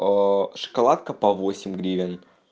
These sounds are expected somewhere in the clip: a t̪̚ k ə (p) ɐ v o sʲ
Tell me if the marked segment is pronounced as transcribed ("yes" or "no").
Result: yes